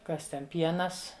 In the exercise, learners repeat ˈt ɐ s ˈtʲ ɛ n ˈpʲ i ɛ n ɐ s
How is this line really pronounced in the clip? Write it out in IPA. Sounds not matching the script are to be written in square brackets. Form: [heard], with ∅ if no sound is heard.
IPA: [ˈk] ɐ s ˈtʲ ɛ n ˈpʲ i ɛ n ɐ s